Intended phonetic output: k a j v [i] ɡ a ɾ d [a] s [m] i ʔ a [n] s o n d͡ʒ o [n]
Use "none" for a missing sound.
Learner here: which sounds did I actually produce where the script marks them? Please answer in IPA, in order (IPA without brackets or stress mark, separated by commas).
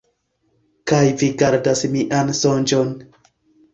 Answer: i, a, m, n, n